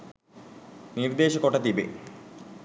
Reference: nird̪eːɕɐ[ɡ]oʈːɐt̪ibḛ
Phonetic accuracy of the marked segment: incorrect: k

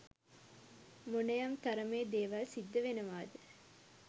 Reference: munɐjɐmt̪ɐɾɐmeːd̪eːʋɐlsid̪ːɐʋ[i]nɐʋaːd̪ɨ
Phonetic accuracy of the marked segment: incorrect: e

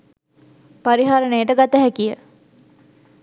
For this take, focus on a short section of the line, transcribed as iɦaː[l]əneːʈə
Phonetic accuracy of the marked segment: incorrect: ɾ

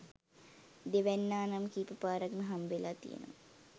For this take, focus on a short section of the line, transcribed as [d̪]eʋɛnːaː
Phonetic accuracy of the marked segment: correct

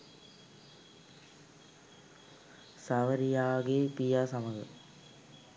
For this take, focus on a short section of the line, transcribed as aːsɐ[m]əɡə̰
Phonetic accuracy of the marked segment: correct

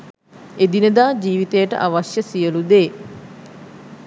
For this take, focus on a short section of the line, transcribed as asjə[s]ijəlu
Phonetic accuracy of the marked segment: correct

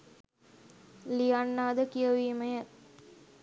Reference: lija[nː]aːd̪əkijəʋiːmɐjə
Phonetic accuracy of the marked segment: correct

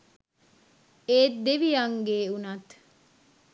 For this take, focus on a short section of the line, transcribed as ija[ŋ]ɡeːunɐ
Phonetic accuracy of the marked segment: correct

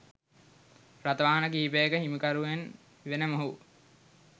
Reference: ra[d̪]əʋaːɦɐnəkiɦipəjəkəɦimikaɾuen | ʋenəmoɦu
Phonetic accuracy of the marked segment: incorrect: t̪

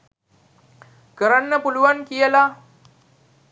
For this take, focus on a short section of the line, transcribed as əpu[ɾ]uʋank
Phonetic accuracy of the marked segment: incorrect: l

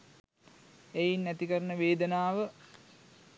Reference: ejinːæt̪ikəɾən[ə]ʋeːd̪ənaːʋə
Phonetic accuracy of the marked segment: correct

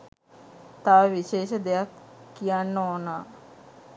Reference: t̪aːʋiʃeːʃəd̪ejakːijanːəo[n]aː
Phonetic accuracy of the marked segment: correct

